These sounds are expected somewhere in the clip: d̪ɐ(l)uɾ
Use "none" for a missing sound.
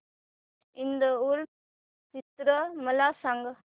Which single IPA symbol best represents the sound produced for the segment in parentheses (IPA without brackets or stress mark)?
none